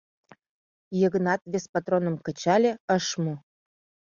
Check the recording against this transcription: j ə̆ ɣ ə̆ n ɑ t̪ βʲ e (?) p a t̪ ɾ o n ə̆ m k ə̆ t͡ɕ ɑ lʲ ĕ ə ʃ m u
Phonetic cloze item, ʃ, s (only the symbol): s